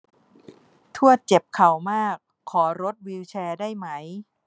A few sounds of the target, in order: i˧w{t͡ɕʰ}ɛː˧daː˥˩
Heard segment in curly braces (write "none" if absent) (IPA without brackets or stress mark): t͡ɕʰ